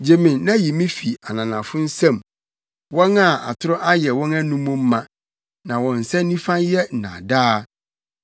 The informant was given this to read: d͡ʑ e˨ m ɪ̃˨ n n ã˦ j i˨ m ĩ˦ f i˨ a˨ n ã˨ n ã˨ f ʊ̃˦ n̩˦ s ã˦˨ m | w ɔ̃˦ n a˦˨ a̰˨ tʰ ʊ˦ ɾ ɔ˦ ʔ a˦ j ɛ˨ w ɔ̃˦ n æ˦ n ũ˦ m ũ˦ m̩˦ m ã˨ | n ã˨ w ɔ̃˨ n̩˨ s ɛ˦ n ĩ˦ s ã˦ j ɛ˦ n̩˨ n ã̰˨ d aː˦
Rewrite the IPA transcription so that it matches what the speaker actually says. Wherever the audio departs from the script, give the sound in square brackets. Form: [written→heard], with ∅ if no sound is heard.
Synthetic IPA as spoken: d͡ʑ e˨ m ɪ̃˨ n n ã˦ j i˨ m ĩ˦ f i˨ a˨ n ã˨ n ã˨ f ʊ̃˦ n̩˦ s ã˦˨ m | w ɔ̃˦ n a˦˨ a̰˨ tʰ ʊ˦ ɾ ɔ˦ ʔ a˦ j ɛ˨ w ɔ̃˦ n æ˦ n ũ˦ m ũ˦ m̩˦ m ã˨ | n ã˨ w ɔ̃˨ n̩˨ s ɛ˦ n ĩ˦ [s→f] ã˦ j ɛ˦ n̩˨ n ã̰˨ d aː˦